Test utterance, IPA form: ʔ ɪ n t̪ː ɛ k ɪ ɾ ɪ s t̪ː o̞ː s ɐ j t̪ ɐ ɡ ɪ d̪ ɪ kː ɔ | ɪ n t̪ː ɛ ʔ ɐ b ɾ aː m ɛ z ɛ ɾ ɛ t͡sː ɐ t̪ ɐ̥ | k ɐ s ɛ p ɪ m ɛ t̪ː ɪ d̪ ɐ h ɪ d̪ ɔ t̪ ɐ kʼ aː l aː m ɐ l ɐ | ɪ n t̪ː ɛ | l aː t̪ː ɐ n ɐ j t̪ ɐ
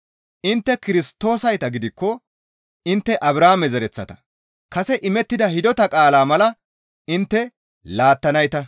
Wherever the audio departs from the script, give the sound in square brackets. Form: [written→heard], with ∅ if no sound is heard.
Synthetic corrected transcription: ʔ ɪ n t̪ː ɛ k ɪ ɾ ɪ s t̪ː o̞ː s ɐ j t̪ ɐ ɡ ɪ d̪ ɪ kː ɔ | ɪ n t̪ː ɛ ʔ ɐ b ɾ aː m ɛ z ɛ ɾ ɛ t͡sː ɐ t̪ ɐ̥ | k ɐ s ɛ [p→ʔ] ɪ m ɛ t̪ː ɪ d̪ ɐ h ɪ d̪ ɔ t̪ ɐ kʼ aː l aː m ɐ l ɐ | ɪ n t̪ː ɛ | l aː t̪ː ɐ n ɐ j t̪ ɐ